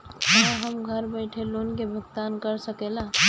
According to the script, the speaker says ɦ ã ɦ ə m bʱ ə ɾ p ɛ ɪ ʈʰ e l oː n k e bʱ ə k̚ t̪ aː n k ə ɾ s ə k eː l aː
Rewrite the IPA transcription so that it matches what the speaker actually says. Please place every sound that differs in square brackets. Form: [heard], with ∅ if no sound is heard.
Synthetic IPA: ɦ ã ɦ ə m [ɡʱ] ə ɾ [b] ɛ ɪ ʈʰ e l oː n k e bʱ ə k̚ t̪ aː n k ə ɾ s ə k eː l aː